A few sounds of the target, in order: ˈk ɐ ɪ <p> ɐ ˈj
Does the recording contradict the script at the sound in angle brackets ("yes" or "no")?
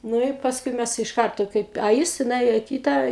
no